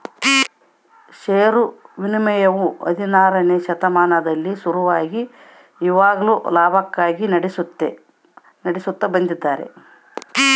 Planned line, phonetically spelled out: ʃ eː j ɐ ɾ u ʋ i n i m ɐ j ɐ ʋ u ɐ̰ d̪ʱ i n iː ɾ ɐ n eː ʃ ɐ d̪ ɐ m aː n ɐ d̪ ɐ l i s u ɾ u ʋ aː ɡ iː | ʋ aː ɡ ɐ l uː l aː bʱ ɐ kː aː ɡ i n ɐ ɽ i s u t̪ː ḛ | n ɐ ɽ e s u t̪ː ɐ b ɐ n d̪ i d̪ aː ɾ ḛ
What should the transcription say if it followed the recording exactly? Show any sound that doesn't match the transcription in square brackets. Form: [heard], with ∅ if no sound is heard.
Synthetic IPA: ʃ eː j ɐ ɾ u ʋ i n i m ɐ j ɐ ʋ u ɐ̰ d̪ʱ i n [aː] ɾ ɐ n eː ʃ ɐ [t̪] ɐ m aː n ɐ d̪ ɐ [lː] i s u ɾ u ʋ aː ɡ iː | ʋ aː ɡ ɐ l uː l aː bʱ ɐ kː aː ɡ i n ɐ ɽ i s u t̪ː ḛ | n ɐ ɽ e s u t̪ː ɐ b ɐ n d̪ i [d̪ː] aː ɾ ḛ